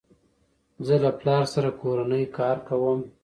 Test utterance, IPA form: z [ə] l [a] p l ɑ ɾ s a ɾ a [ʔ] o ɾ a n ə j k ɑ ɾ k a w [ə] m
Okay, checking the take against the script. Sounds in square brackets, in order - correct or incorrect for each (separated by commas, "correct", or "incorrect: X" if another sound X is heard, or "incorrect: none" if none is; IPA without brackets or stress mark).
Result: correct, correct, incorrect: k, correct